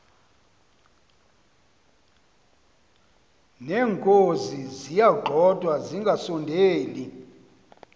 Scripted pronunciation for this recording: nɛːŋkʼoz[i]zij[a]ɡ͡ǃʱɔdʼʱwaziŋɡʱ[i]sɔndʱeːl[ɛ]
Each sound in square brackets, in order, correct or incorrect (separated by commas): correct, correct, incorrect, incorrect